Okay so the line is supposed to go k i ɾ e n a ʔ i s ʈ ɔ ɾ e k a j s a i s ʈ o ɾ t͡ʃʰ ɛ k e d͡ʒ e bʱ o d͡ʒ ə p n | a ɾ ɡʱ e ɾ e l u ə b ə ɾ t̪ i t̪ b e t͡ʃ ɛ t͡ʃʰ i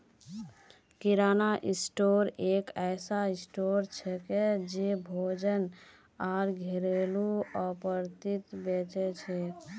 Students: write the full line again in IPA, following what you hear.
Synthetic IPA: k i ɾ a n a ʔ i s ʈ o ɾ e k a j s a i s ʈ o ɾ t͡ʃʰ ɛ k e d͡ʒ e bʱ o d͡ʒ ə n | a ɾ ɡʱ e ɾ e l u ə p ə ɾ t̪ i t̪ b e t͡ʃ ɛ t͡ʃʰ ɛ